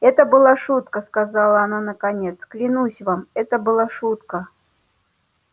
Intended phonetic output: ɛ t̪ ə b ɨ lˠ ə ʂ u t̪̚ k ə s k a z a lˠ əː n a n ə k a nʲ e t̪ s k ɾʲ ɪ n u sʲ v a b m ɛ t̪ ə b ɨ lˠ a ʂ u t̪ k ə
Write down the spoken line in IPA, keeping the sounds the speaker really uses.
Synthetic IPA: ɛ t̪ ə b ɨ lˠ a ʂ u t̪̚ k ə s k a z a lˠ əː n a n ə k a nʲ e t̪ s k lʲ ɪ n u sʲ v a m ɛ t̪ ə b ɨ lˠ a ʂ u t̪ k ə